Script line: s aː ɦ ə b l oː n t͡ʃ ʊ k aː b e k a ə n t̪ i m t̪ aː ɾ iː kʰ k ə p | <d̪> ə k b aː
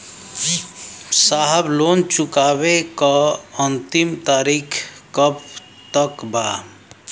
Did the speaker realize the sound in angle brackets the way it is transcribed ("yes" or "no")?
no